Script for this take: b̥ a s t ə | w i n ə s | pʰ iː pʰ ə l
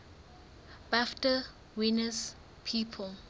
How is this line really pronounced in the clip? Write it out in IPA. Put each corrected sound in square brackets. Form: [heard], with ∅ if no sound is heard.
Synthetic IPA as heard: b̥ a [f] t ə | w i n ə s | pʰ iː pʰ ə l